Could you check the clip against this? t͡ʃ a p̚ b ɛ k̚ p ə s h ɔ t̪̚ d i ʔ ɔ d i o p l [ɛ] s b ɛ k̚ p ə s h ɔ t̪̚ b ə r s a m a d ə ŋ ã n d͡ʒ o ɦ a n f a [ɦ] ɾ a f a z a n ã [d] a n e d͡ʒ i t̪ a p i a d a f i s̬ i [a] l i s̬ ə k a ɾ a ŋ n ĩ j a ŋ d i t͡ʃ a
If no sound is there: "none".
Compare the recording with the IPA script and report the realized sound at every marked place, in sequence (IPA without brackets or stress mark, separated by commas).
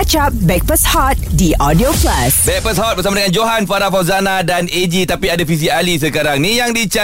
a, none, d, a